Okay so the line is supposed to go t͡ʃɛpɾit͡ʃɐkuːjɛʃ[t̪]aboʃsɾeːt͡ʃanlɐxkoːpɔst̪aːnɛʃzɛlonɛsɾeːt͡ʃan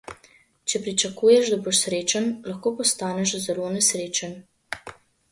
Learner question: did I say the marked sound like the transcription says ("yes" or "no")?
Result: no